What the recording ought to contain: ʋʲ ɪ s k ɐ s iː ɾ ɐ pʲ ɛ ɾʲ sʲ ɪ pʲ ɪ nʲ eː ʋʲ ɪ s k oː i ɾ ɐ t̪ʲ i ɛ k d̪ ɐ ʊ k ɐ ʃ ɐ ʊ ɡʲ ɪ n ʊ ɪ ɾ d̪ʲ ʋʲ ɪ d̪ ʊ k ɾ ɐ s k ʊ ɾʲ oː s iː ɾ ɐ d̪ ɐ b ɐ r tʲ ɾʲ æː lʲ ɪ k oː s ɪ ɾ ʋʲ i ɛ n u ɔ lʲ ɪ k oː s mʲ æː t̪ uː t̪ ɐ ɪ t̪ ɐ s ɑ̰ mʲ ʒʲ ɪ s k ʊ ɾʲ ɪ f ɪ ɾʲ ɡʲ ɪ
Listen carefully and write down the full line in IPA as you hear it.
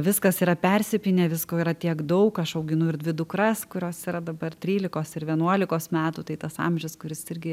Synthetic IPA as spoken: ʋʲ ɪ s k ɐ s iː ɾ ɐ pʲ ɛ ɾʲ sʲ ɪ pʲ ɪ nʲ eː ʋʲ ɪ s k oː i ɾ ɐ t̪ʲ i ɛ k d̪ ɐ ʊ k ɐ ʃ ɐ ʊ ɡʲ ɪ n ʊ ɪ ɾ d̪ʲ ʋʲ ɪ d̪ ʊ k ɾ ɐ s k ʊ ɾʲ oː s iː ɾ ɐ d̪ ɐ b ɐ r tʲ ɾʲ iː lʲ ɪ k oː s ɪ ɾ ʋʲ i ɛ n u ɔ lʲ ɪ k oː s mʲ æː t̪ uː t̪ ɐ ɪ t̪ ɐ s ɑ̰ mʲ ʒʲ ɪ s k ʊ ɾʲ ɪ s ɪ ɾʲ ɡʲ ɪ

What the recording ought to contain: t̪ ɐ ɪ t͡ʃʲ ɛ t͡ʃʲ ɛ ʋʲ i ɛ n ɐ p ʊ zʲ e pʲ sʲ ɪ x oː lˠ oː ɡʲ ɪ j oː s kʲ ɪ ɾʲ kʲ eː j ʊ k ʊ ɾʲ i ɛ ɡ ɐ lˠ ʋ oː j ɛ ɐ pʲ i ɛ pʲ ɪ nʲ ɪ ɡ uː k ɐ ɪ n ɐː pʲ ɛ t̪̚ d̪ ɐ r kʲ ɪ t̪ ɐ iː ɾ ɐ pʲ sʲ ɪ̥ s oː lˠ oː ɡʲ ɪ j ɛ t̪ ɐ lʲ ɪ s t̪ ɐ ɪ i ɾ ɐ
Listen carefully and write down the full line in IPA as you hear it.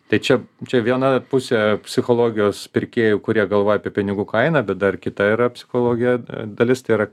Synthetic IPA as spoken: t̪ ɐ ɪ t͡ʃʲ ɛ t͡ʃʲ ɛ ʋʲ i ɛ n ɐ p ʊ sʲ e pʲ sʲ ɪ x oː lˠ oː ɡʲ ɪ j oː s pʲ ɪ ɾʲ kʲ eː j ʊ k ʊ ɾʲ i ɛ ɡ ɐ lˠ ʋ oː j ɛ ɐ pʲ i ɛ pʲ ɪ nʲ ɪ ɡ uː k ɐ ɪ n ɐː bʲ ɛ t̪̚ d̪ ɐ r kʲ ɪ t̪ ɐ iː ɾ ɐ pʲ sʲ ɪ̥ x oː lˠ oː ɡʲ ɪ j ɛ d̪ ɐ lʲ ɪ s t̪ ɐ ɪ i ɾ ɐ

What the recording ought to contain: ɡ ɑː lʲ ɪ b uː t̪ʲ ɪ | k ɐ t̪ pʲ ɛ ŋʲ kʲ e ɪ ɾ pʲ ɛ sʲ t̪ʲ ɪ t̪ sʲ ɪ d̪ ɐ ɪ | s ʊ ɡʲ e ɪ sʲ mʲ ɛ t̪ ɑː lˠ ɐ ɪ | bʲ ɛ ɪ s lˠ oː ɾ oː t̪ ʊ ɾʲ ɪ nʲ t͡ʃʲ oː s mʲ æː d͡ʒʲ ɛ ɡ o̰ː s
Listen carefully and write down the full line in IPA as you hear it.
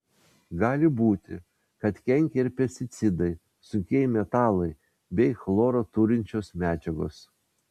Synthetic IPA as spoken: ɡ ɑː lʲ ɪ b uː t̪ʲ ɪ | k ɐ t̪ kʲ ɛ ŋʲ kʲ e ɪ ɾ pʲ ɛ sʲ t̪ʲ ɪ t̪ sʲ ɪ d̪ ɐ ɪ | s ʊ kʲ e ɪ mʲ ɛ t̪ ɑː lˠ ɐ ɪ | bʲ ɛ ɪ x lˠ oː ɾ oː t̪ ʊ ɾʲ ɪ nʲ t͡ʃʲ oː s mʲ æː d͡ʒʲ ɛ ɡ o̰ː s

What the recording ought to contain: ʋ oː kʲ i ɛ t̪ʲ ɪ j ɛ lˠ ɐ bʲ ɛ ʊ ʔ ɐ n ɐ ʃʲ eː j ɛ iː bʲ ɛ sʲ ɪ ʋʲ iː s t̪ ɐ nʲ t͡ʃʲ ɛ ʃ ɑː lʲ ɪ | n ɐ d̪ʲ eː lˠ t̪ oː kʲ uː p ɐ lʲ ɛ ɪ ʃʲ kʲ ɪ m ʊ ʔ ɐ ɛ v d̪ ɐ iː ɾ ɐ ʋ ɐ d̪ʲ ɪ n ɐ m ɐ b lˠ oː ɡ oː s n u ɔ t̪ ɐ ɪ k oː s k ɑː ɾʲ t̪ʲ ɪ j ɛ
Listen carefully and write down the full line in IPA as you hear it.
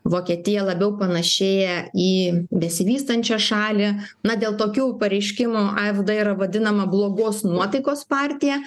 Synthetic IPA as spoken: ʋ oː kʲ i ɛ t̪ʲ ɪ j ɛ lˠ ɐ bʲ ɛ ʊ p ɐ n ɐ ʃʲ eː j ɛ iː bʲ ɛ sʲ ɪ ʋʲ iː s t̪ ɐ nʲ t͡ʃʲ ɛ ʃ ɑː lʲ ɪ | n ɐ d̪ʲ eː lˠ t̪ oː kʲ uː p ɐ ɾʲ ɛ ɪ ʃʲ kʲ ɪ m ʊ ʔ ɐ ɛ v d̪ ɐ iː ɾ ɐ ʋ ɐ d̪ʲ ɪ n ɐ m ɐ b lˠ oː ɡ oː s n u ɔ t̪ ɐ ɪ k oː s p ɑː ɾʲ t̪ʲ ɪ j ɛ

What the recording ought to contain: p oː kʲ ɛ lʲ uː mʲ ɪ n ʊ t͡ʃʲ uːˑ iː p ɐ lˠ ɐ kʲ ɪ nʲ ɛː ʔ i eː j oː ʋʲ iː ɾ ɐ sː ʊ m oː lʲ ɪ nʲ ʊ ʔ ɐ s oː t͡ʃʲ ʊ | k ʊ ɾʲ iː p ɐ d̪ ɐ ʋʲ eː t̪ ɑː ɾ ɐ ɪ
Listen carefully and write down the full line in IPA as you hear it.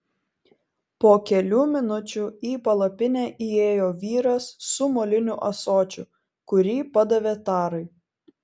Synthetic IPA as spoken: p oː kʲ ɛ lʲ uː mʲ ɪ n ʊ t͡ʃʲ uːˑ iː p ɐ lˠ ɐ pʲ ɪ nʲ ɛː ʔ i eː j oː ʋʲ iː ɾ ɐ sː ʊ m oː lʲ ɪ nʲ ʊ ʔ ɐ s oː t͡ʃʲ ʊ | k ʊ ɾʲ iː p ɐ d̪ ɐ ʋʲ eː t̪ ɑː ɾ ɐ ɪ

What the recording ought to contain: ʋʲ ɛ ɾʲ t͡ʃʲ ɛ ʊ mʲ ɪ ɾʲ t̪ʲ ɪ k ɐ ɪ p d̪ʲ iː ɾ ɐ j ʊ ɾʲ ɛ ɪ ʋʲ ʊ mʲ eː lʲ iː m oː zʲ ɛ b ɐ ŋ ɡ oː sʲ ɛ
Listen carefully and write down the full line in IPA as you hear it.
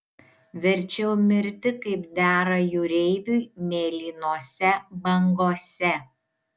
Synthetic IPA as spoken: ʋʲ ɛ ɾʲ t͡ʃʲ ɛ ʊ mʲ ɪ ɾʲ t̪ʲ ɪ k ɐ ɪ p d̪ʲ æː ɾ ɐ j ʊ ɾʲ ɛ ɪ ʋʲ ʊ mʲ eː lʲ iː n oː sʲ ɛ b ɐ ŋ ɡ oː sʲ ɛ

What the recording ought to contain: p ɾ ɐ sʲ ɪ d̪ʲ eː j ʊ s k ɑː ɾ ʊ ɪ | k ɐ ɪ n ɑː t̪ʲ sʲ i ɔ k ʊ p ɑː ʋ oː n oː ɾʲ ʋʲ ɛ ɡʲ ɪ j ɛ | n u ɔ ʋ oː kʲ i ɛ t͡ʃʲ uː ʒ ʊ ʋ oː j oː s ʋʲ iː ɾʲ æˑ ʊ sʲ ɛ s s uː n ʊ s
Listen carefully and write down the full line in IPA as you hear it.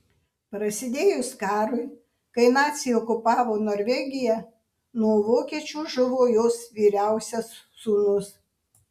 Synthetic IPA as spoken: p ɾ ɐ sʲ ɪ d̪ʲ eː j ʊ s k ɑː ɾ ʊ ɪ | k ɐ ɪ n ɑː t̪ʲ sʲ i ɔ k ʊ p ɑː ʋ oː n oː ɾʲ ʋʲ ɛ ɡʲ ɪ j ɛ | n u ɔ ʋ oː kʲ i ɛ t͡ʃʲ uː ʒ ʊ ʋ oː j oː s ʋʲ iː ɾʲ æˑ ʊ sʲ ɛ s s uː n ʊ s

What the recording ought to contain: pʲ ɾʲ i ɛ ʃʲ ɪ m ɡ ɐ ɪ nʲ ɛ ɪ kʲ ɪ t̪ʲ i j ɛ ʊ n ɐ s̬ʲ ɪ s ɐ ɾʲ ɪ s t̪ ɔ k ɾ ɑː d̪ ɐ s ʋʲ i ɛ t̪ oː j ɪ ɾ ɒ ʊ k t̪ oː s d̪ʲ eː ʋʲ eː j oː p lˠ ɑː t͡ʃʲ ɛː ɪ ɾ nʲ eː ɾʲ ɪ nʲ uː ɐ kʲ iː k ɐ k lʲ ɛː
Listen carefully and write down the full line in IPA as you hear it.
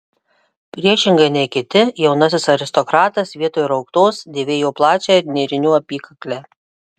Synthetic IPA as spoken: pʲ ɾʲ i ɛ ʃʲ ɪ ŋ ɡ ɐ ɪ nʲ ɛ ɪ kʲ ɪ t̪ʲ ɪ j ɛ ʊ n ɐ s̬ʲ ɪ s ɐ ɾʲ ɪ s t̪ ɔ k ɾ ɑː t̪ ɐ s ʋʲ i ɛ t̪ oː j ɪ ɾ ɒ ʊ k t̪ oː s d̪ʲ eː ʋʲ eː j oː p lˠ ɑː t͡ʃʲ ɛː ɪ ɾ nʲ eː ɾʲ ɪ nʲ uː ɐ pʲ iː k ɐ k lʲ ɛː

